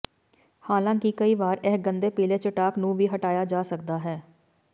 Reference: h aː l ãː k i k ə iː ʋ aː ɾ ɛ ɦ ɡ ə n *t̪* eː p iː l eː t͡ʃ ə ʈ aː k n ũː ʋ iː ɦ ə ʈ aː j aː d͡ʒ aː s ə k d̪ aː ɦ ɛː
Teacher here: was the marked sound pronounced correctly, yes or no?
no